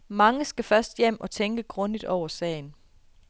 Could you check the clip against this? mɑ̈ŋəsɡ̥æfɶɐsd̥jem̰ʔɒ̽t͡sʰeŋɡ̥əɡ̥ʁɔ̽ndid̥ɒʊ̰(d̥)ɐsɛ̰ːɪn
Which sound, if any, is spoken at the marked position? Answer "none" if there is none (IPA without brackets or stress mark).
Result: none